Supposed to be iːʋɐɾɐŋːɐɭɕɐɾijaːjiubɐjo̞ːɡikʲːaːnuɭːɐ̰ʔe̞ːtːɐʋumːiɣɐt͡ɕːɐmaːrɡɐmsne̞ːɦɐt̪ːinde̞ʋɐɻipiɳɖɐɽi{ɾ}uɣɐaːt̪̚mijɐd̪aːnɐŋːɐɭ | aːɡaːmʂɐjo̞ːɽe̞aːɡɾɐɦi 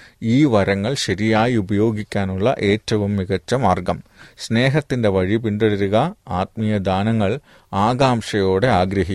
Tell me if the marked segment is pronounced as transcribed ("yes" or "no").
yes